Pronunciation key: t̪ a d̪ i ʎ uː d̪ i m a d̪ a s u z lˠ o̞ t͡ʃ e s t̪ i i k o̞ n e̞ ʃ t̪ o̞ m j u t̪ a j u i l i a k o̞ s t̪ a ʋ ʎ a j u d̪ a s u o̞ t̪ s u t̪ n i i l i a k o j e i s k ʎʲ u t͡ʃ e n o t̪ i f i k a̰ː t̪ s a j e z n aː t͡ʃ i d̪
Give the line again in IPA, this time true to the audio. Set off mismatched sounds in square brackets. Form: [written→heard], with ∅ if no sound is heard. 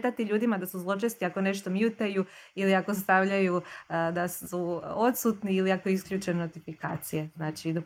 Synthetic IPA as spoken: t̪ a [d̪→t̪] i ʎ uː d̪ i m a d̪ a s u z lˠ o̞ t͡ʃ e s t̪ i [i→a] k o̞ n e̞ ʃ t̪ o̞ m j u t̪ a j u i l i a k o̞ s t̪ a ʋ ʎ a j u d̪ a s u o̞ t̪ s u t̪ n i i l i a k o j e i s k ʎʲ u t͡ʃ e n o t̪ i f i k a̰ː t̪ s [a→i] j e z n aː t͡ʃ i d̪